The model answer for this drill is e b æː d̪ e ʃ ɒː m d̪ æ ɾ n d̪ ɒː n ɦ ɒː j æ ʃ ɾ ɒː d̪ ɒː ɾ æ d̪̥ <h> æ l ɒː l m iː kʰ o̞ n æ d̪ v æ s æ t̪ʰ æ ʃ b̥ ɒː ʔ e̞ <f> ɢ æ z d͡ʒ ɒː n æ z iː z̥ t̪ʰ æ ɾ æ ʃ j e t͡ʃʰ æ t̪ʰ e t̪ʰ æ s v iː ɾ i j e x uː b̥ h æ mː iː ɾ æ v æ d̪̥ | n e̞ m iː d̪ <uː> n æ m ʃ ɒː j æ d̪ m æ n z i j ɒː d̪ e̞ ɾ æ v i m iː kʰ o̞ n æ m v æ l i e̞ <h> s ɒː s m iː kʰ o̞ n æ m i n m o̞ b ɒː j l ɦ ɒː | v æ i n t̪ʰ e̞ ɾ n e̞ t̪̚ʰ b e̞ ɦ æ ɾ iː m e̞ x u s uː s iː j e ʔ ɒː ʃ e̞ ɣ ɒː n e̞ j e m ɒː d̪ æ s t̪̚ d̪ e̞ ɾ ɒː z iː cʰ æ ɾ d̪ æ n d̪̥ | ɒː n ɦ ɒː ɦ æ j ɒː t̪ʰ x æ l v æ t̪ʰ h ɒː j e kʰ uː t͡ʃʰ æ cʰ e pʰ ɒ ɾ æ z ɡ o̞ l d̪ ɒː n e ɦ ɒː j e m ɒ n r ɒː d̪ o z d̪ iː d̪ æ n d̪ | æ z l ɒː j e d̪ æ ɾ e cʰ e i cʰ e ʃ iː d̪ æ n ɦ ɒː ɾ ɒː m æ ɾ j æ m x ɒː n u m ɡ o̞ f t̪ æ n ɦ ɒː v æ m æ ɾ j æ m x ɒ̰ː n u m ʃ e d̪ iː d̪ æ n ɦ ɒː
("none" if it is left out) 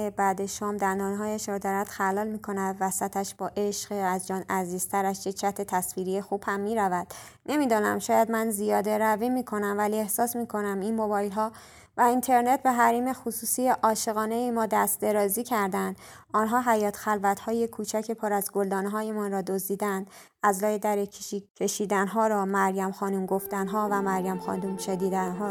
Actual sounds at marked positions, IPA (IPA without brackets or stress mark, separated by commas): x, ʃ, ɒː, h